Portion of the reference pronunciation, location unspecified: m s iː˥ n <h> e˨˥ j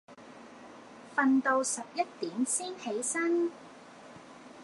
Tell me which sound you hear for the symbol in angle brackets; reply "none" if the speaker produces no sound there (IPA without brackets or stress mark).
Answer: h